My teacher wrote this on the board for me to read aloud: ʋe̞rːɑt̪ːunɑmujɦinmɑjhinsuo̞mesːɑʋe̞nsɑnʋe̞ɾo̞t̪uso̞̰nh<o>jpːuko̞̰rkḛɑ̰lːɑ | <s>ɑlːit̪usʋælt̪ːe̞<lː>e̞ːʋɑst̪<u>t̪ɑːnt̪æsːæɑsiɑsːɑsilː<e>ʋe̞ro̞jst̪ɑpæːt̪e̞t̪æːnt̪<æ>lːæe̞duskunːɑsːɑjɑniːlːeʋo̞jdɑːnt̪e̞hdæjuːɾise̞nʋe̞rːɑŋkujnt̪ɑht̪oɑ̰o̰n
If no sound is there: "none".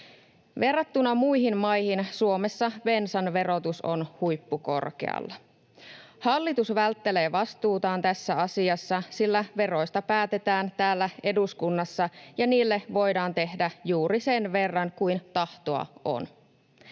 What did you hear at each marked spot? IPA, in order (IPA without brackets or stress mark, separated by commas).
u, h, l, uː, æ, æː